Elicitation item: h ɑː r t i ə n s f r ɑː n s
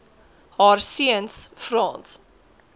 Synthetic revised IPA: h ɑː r s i ə n s f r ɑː n s